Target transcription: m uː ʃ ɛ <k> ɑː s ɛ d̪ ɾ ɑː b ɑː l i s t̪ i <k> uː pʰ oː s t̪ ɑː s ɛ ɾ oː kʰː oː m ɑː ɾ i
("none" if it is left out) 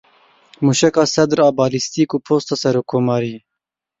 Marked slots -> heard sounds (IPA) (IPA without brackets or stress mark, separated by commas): k, k